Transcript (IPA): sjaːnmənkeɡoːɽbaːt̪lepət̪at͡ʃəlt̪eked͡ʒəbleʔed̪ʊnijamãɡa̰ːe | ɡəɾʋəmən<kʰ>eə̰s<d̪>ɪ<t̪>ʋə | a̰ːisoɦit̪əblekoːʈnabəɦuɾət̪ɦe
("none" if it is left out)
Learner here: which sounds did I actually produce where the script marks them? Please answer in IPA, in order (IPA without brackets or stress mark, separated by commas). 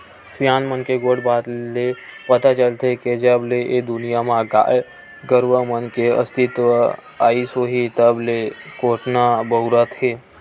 k, t̪, t̪